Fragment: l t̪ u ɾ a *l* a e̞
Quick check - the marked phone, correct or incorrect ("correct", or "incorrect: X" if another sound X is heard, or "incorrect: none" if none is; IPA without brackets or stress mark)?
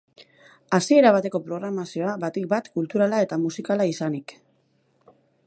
correct